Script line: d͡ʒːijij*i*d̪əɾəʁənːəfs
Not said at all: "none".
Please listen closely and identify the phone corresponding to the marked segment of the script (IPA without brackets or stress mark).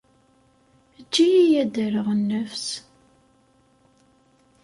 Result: æ